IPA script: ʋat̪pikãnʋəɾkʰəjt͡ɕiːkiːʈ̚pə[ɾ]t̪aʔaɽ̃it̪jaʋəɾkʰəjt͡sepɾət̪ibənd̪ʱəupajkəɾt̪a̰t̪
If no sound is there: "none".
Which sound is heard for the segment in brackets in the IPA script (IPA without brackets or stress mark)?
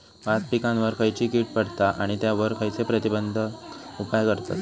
ɽ